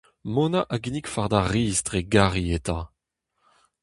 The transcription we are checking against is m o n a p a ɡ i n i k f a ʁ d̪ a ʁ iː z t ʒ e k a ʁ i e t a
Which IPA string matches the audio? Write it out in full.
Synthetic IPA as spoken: m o n a ʔ a ɡ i n i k f a ʁ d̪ a ʁ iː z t ʁ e ɡ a ʁ i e t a